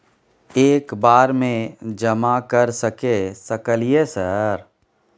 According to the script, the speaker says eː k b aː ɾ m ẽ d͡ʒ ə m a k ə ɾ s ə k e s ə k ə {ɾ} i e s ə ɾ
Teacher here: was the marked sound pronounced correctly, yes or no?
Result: no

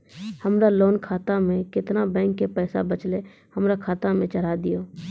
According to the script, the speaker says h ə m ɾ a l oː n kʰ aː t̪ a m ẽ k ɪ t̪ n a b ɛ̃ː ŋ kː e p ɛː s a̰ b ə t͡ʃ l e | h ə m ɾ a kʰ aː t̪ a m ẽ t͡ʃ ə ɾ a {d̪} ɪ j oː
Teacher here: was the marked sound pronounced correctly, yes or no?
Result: yes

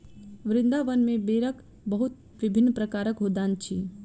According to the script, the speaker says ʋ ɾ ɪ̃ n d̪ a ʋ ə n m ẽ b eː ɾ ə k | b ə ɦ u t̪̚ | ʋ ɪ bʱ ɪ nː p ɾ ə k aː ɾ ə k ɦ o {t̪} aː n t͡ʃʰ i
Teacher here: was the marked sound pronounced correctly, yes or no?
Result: no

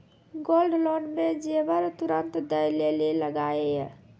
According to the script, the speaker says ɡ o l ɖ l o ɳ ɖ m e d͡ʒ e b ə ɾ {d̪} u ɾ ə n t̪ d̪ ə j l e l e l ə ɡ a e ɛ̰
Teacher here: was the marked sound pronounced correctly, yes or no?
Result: no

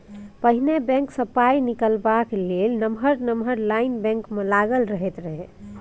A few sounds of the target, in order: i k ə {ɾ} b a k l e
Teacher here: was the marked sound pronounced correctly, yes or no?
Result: no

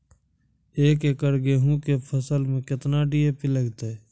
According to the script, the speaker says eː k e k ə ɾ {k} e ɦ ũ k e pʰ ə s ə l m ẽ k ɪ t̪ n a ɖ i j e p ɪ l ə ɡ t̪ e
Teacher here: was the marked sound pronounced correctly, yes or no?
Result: no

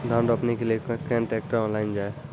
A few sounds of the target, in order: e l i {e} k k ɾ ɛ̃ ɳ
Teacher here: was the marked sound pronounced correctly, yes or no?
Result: yes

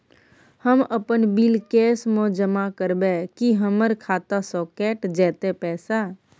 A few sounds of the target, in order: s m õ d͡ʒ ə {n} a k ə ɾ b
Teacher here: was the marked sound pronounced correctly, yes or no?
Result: no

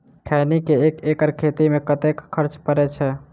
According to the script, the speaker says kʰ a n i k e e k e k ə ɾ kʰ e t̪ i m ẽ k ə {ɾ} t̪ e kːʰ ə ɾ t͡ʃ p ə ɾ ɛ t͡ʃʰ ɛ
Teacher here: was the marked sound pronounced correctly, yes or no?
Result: no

